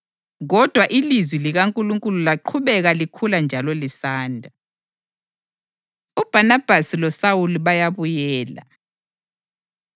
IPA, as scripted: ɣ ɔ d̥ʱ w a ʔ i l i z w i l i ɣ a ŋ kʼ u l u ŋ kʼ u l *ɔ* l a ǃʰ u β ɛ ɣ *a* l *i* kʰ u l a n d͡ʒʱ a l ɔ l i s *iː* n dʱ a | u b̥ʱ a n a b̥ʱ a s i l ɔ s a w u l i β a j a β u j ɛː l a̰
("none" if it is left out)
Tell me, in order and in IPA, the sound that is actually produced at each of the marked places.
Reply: u, a, i, aː

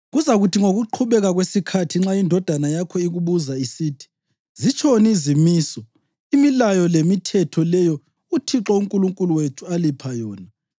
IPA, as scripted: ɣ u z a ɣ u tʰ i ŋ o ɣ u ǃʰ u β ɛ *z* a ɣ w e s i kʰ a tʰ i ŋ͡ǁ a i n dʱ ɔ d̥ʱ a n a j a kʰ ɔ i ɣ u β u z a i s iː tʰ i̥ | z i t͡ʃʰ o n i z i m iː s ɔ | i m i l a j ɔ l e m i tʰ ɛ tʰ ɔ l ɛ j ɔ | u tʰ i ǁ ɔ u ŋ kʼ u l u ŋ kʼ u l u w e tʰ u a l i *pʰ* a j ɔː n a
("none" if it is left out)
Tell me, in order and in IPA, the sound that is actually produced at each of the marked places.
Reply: ɣ, pʰ

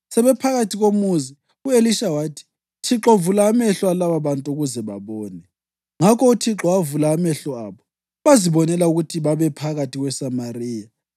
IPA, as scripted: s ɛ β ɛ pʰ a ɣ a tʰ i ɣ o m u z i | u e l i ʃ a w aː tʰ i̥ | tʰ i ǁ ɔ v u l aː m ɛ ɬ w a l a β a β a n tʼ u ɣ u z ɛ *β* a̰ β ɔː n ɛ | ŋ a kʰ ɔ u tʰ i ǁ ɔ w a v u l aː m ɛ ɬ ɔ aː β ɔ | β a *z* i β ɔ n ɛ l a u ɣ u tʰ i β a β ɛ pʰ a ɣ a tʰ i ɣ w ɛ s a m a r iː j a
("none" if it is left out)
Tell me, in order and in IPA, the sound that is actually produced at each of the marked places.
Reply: β, z

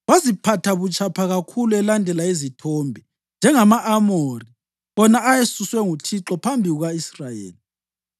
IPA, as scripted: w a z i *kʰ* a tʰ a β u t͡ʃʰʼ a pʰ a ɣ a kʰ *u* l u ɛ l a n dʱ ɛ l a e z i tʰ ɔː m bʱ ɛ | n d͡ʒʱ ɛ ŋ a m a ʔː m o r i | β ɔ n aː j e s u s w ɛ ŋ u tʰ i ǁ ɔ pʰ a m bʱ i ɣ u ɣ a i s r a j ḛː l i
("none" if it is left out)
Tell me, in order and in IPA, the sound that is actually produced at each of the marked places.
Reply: pʰ, u

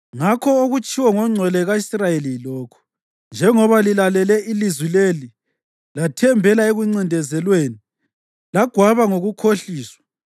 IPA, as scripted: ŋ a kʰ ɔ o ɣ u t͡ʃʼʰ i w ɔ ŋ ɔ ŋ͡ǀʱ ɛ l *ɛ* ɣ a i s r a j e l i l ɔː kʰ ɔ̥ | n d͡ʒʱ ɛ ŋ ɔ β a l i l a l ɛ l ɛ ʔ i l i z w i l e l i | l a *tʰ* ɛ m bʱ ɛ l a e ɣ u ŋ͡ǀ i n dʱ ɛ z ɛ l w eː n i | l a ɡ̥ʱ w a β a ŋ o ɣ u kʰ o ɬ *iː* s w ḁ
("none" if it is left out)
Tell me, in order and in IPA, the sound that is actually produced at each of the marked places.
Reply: ɛ, tʰ, iː

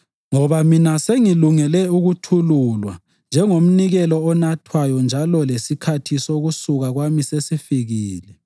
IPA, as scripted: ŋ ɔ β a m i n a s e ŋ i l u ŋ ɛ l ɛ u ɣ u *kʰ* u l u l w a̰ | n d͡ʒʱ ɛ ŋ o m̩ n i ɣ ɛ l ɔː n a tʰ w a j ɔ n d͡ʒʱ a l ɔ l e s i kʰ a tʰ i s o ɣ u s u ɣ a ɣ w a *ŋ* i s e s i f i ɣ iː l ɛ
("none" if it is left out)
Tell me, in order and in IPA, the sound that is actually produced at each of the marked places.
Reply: tʰ, m

